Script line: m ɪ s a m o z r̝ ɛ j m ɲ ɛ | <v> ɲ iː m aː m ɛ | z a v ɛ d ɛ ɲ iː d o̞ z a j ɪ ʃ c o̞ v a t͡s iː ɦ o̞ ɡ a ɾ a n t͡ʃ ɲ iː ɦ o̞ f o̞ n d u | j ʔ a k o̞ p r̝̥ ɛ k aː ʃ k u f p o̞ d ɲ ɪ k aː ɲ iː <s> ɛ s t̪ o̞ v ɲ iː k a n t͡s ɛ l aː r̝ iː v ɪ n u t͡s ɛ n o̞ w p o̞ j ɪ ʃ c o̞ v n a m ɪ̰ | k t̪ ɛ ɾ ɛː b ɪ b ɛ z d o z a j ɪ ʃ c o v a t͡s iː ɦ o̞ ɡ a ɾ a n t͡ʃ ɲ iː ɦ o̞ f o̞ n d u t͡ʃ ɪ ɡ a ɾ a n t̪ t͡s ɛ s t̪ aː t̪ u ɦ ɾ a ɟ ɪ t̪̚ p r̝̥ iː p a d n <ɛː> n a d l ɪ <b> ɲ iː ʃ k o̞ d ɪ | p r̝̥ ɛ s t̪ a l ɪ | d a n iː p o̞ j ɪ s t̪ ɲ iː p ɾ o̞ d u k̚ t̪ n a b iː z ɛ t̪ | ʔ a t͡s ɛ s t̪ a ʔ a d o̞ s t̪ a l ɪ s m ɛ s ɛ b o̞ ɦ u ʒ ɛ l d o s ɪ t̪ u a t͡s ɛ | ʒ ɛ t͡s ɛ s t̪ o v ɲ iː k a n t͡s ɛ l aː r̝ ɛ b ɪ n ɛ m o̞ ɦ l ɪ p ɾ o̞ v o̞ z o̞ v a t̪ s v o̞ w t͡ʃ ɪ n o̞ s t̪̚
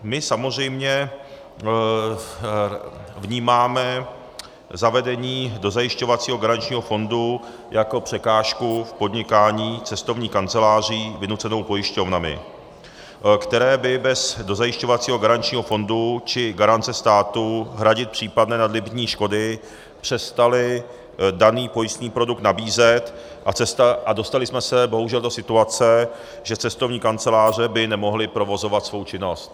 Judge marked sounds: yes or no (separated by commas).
yes, no, yes, yes